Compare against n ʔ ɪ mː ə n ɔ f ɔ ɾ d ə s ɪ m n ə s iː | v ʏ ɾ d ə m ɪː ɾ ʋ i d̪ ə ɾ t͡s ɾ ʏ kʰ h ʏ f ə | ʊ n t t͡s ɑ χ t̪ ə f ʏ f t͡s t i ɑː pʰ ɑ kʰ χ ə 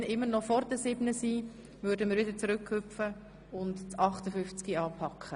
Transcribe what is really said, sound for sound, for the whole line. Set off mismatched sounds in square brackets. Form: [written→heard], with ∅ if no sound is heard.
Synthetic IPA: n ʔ ɪ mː ə n ɔ f ɔ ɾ d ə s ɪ [m→b] n ə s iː | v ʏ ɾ d ə m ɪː ɾ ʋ [i→ɪ] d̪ ə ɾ t͡s ɾ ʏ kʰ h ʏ f ə | ʊ n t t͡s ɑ χ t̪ ə f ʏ f t͡s [t→k] i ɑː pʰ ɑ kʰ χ ə